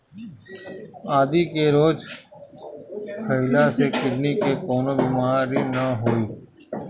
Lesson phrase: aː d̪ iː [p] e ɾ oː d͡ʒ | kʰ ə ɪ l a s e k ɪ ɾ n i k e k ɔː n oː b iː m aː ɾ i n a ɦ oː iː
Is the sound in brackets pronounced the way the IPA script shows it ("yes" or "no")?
no